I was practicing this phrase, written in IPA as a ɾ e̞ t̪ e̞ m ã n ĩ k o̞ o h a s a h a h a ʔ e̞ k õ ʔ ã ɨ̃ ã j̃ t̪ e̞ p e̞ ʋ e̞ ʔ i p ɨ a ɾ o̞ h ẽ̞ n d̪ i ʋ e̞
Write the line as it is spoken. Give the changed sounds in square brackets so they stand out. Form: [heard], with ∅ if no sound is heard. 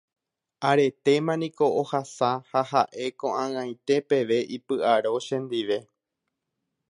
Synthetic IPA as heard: a ɾ e̞ t̪ e̞ m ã n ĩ k o̞ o h a s a h a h a ʔ e̞ k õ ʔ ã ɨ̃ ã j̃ t̪ e̞ p e̞ ʋ e̞ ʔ i p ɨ a ɾ o̞ [ʃ] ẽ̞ n d̪ i ʋ e̞

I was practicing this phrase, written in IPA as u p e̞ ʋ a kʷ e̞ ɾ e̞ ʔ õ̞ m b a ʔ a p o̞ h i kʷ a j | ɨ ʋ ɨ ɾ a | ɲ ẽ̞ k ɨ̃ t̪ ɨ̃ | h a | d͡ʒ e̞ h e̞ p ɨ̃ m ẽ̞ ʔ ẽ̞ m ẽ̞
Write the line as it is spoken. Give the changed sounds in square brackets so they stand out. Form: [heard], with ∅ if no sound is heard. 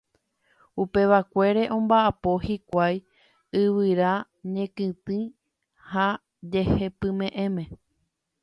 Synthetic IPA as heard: u p e̞ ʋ a kʷ e̞ ɾ e̞ ʔ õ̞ m b a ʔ a p o̞ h i kʷ a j | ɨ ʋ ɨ ɾ a | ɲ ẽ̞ k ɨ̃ t̪ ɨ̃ | h a | d͡ʒ e̞ h e̞ p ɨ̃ m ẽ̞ ʔ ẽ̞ m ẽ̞

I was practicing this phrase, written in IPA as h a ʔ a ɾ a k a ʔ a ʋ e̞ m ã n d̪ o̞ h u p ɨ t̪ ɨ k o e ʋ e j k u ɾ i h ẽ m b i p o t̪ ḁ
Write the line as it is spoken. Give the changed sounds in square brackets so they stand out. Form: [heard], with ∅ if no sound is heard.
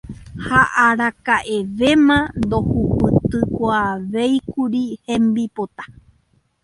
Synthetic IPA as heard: h a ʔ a ɾ a k a ʔ [e] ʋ e̞ m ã n d̪ o̞ h u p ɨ t̪ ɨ k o [a] ʋ e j k u ɾ i h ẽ m b i p o t̪ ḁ

